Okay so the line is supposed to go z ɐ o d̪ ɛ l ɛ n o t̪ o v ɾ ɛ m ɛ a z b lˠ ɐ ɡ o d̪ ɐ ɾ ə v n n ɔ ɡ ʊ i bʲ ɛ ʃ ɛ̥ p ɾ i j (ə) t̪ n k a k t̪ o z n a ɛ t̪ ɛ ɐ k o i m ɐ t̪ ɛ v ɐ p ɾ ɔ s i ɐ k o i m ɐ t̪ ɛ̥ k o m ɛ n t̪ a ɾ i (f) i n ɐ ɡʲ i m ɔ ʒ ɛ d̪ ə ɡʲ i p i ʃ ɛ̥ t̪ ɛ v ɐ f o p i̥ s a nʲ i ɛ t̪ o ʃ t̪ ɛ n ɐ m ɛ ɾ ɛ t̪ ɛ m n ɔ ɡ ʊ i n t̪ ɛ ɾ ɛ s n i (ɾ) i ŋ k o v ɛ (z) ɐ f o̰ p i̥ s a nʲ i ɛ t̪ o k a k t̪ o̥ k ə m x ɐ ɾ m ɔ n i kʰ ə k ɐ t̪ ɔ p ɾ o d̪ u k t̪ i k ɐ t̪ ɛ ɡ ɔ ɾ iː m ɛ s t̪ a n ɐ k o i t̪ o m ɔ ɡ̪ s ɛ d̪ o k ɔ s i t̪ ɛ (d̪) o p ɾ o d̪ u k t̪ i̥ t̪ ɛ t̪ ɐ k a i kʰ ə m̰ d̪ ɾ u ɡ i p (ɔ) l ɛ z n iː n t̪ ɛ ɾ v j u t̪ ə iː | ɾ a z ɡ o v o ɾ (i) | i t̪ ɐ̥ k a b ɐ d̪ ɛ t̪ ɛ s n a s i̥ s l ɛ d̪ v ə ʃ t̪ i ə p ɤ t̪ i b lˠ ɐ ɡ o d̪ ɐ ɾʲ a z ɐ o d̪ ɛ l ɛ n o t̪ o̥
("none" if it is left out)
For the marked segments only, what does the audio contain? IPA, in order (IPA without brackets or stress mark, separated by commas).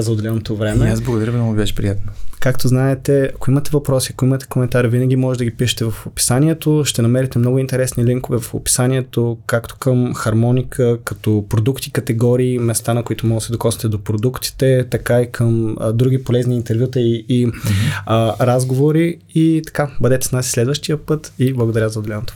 a, v, l, v, d̪, o, i